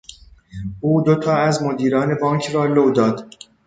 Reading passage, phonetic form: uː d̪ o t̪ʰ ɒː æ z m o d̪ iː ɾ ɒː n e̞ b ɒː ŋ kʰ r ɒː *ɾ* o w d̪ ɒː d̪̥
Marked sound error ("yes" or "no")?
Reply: yes